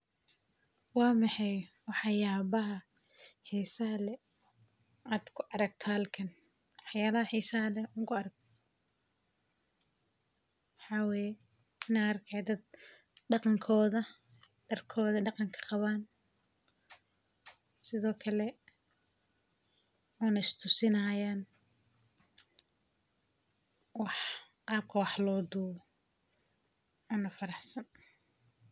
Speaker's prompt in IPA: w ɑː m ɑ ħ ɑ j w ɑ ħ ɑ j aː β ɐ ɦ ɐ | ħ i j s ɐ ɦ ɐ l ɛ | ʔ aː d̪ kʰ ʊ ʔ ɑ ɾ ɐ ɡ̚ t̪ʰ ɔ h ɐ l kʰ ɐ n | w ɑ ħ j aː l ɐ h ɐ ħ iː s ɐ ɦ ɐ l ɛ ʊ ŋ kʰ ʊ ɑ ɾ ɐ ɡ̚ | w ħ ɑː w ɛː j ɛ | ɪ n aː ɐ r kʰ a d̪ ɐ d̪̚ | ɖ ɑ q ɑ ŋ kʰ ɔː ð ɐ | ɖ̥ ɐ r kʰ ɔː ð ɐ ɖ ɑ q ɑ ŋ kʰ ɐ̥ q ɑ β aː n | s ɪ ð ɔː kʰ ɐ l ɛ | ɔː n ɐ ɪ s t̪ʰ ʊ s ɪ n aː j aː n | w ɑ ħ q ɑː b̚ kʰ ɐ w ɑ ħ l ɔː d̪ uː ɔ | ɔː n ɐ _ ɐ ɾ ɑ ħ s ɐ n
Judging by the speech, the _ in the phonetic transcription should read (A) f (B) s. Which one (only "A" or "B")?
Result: A